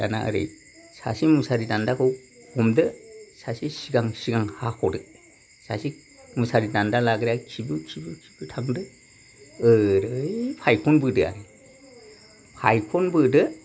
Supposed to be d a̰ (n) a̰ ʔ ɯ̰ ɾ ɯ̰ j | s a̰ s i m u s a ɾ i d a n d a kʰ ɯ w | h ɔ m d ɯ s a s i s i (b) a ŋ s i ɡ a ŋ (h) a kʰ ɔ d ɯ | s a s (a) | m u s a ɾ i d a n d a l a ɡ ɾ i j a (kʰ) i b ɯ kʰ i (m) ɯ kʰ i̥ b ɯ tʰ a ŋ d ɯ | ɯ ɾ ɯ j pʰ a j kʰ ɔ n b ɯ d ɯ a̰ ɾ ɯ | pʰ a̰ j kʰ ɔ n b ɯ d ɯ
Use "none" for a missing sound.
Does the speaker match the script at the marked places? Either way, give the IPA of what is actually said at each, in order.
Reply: n, ɡ, h, i, kʰ, b

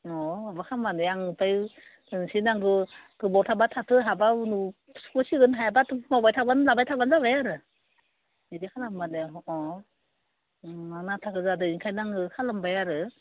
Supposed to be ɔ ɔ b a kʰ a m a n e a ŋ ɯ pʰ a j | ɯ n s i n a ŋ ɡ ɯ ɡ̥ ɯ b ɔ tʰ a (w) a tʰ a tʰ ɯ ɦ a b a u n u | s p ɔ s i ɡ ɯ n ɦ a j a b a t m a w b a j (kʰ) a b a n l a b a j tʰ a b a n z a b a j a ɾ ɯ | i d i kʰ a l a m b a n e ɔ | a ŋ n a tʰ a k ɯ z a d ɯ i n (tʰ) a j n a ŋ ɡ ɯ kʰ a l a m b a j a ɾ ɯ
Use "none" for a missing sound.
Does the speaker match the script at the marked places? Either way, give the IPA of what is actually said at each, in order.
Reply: b, tʰ, kʰ

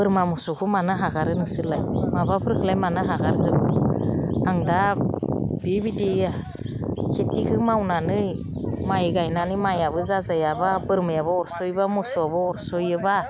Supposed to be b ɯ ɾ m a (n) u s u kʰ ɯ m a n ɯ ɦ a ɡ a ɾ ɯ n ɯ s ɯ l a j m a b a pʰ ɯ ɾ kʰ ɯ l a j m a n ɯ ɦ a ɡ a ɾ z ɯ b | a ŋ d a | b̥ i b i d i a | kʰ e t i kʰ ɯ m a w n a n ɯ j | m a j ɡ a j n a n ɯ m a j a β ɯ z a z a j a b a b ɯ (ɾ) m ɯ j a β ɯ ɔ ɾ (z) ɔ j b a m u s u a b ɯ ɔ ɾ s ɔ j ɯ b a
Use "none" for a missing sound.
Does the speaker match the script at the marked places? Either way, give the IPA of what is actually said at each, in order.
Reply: m, ɾ, s

